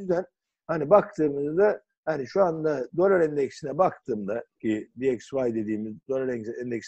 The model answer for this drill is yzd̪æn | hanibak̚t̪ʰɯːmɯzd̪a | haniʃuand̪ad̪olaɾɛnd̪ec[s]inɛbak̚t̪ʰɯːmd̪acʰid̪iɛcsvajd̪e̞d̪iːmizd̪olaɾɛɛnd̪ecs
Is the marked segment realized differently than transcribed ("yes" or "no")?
no